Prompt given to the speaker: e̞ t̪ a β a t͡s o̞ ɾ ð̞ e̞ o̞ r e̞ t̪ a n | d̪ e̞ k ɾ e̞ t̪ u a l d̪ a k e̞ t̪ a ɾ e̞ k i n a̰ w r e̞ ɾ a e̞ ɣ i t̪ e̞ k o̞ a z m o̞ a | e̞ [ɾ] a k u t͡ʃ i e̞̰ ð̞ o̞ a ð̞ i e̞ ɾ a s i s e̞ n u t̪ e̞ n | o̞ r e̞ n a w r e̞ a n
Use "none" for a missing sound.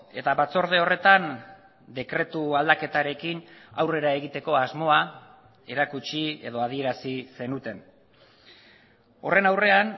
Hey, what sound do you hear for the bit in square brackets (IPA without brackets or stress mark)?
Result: ɾ